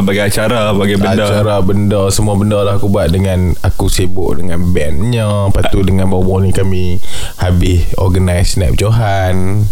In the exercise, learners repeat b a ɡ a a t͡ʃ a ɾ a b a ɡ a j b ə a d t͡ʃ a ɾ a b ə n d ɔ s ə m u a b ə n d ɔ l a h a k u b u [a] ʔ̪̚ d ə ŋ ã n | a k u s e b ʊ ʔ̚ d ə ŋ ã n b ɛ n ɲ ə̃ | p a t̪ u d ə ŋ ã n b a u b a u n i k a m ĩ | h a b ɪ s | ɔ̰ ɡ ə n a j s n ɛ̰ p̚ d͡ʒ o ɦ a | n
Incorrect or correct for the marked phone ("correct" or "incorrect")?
correct